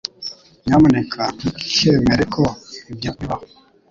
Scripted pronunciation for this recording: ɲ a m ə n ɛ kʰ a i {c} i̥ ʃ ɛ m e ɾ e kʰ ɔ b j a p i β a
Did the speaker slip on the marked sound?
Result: yes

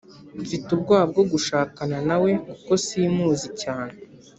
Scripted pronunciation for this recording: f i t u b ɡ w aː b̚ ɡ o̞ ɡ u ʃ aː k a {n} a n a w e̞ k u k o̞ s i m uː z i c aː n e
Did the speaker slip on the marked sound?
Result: no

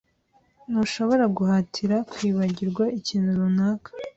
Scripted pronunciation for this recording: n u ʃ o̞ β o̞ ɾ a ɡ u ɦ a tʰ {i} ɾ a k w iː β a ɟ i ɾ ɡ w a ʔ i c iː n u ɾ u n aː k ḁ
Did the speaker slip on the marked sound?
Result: no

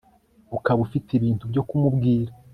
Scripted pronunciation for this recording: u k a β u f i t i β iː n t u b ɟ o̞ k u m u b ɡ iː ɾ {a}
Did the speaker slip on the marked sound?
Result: no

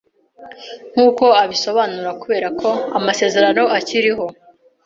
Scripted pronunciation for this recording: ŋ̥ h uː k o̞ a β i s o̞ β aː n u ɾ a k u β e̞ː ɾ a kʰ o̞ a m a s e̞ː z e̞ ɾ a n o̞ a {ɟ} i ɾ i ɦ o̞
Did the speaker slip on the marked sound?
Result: yes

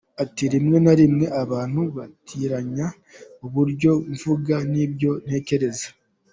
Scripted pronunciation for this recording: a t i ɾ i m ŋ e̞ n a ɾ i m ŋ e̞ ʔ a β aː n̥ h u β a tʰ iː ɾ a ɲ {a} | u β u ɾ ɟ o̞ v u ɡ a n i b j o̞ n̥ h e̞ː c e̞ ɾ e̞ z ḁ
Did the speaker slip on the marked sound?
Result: no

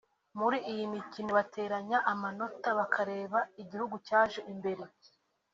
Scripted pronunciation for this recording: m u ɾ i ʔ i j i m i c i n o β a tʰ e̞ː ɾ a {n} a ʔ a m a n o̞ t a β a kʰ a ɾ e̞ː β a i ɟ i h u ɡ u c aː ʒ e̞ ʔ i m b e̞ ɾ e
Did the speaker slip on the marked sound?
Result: yes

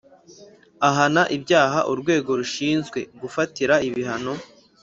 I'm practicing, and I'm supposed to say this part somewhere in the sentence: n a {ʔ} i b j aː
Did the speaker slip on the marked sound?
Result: no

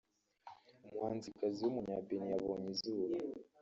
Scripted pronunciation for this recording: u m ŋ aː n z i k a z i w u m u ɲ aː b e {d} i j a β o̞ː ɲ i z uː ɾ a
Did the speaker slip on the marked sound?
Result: yes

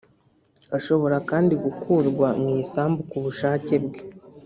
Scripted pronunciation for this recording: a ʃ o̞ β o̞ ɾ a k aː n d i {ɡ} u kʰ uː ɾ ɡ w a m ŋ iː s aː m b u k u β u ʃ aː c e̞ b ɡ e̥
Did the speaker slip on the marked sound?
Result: no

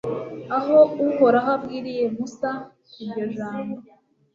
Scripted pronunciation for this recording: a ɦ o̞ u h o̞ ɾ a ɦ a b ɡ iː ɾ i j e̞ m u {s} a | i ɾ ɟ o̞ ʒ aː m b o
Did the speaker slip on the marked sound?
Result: no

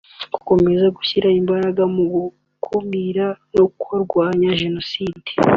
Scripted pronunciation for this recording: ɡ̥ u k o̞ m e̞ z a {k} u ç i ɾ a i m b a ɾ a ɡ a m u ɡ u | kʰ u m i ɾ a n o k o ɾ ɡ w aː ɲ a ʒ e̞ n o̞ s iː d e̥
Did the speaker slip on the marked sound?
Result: yes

